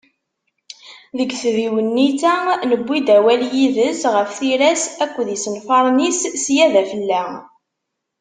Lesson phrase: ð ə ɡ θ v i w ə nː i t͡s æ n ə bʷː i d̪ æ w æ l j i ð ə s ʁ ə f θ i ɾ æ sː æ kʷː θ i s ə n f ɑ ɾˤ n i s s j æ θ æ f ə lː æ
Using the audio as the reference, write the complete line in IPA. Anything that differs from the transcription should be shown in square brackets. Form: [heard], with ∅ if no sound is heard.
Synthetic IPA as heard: ð ə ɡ θ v i w ə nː i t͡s æ n ə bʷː i d̪ æ w æ l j i ð ə s ʁ ə f θ i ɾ æ [s] æ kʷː [ð] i s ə n f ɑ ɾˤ n i s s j æ [ð] æ f ə lː æ